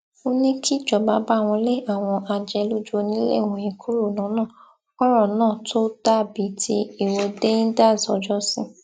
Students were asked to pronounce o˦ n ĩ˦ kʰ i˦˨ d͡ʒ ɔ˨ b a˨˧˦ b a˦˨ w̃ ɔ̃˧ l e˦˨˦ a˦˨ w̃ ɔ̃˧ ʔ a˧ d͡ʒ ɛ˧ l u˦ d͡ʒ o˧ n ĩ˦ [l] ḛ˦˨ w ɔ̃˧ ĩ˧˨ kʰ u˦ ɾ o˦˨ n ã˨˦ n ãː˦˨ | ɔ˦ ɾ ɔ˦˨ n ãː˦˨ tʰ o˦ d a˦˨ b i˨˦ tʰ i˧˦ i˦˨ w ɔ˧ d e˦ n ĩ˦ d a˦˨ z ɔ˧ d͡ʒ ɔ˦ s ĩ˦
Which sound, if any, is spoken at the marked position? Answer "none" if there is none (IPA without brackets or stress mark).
l